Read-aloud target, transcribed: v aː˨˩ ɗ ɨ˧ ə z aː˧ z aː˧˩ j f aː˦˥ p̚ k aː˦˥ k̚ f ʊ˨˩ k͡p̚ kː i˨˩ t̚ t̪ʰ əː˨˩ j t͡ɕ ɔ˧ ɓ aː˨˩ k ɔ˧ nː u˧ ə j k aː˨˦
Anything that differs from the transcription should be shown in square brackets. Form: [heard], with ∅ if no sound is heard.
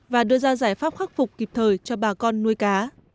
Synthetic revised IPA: v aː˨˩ ɗ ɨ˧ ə z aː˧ z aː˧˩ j f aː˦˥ p̚ [x] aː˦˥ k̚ f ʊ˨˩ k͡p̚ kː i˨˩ [p̚] t̪ʰ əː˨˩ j t͡ɕ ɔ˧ ɓ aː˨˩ k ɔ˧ nː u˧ ə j k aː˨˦